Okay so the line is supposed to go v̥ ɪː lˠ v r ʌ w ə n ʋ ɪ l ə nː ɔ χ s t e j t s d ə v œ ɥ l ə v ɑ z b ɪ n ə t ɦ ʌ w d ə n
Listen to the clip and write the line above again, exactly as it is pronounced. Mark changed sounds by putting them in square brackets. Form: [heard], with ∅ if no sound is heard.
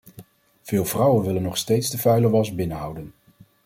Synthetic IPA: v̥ ɪː lˠ v r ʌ w ə n ʋ ɪ l ə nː ɔ χ s t e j t s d ə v œ ɥ l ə [ʋ] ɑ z b ɪ n ə [∅] ɦ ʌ w d ə n